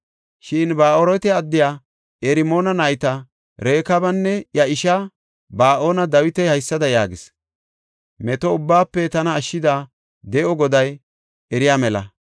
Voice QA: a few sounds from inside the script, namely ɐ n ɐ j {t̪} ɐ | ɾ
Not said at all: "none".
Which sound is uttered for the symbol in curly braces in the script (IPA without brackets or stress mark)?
t̪